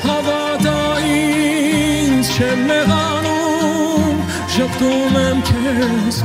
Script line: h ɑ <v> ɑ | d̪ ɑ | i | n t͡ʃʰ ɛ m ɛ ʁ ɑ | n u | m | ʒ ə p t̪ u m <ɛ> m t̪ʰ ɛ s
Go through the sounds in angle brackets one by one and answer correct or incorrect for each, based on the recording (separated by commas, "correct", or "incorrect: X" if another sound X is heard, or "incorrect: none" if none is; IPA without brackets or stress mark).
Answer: correct, correct